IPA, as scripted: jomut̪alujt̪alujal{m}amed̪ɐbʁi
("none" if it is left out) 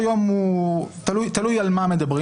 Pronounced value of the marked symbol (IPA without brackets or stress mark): m